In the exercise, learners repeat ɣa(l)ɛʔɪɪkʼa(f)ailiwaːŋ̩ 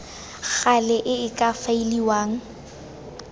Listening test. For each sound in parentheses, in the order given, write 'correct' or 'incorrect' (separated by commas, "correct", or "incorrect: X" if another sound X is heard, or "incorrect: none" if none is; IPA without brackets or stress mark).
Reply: correct, correct